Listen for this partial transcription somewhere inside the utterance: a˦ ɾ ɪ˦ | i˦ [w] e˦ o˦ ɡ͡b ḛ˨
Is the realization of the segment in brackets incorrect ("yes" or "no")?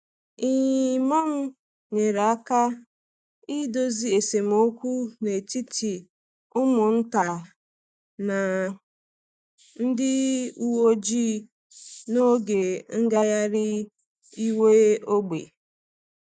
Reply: no